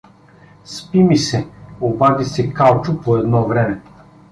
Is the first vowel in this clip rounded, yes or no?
no